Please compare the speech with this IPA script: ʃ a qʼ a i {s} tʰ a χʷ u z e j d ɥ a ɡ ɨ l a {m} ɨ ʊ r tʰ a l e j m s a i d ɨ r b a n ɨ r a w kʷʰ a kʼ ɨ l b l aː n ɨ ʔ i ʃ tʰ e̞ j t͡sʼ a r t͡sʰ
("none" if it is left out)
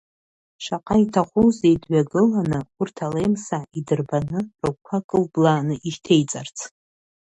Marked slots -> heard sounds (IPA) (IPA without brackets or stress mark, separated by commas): none, n